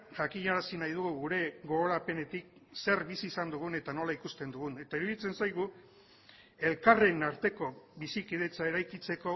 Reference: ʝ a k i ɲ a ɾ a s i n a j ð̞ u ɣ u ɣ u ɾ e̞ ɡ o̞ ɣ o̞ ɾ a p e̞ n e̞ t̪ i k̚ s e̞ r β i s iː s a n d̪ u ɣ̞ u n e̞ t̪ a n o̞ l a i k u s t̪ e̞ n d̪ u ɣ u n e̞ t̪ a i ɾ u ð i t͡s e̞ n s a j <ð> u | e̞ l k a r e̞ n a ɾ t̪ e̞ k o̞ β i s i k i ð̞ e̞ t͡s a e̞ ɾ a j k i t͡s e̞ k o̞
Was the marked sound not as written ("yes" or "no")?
yes